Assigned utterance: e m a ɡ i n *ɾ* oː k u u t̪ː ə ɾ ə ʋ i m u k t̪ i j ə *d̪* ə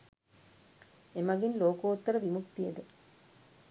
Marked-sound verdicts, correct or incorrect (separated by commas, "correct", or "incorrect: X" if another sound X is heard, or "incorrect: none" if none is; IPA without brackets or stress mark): incorrect: l, correct